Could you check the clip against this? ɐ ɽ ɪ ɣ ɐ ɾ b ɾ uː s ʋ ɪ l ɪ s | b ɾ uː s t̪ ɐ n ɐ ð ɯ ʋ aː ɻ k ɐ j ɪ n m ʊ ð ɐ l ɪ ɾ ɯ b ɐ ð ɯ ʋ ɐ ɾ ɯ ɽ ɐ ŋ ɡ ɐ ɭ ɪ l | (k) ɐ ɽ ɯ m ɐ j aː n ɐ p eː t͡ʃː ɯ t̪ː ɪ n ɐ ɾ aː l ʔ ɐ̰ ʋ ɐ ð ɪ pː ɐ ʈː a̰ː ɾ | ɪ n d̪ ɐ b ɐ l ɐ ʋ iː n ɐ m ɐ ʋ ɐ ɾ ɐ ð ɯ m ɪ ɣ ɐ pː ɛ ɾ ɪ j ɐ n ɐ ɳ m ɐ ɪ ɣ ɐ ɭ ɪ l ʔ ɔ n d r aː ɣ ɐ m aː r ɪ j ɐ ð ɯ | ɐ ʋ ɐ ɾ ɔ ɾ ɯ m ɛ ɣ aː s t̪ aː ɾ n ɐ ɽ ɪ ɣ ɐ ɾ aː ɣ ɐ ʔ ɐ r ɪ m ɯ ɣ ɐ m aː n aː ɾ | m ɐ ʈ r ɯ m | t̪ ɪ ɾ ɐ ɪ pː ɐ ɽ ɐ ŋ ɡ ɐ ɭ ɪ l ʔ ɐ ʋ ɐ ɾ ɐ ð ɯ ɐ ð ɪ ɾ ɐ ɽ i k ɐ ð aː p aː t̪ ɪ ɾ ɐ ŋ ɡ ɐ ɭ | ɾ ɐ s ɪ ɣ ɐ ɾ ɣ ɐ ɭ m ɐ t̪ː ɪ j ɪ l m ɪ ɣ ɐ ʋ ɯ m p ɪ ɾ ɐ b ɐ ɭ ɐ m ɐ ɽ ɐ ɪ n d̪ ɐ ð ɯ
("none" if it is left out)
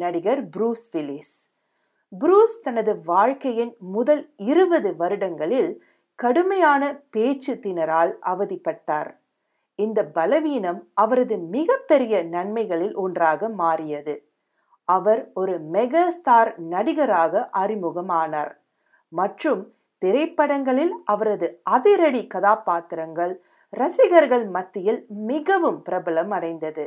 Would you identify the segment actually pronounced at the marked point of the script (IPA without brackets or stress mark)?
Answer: k